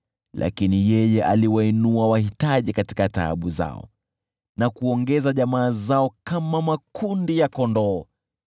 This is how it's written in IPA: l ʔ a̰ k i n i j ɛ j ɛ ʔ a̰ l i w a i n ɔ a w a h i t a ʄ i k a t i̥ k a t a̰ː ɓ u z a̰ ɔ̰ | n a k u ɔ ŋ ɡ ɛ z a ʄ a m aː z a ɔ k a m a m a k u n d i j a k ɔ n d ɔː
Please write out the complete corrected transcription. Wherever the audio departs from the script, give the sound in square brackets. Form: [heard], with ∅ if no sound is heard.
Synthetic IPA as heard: l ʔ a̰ k i n i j ɛ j ɛ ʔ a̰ l i w a i n [u] a w a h i t a ʄ i k a t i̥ k a t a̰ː ɓ u z a̰ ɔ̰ | n a k u ɔ ŋ ɡ ɛ z a ʄ a m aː z a ɔ k a m a m a k u n d i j a k ɔ n d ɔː